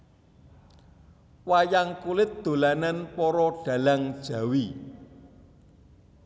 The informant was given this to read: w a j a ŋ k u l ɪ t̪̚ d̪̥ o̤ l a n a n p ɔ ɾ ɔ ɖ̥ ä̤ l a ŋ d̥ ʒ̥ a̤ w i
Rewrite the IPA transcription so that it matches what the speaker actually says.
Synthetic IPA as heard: w a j a ŋ k u l ɪ t̪̚ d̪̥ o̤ l a n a n p ɔ ɾ ɔ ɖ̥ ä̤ l a ŋ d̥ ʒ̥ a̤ w i